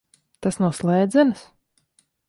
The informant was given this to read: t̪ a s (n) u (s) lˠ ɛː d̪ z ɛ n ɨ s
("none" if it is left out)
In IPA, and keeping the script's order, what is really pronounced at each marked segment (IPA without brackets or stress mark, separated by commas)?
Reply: n, s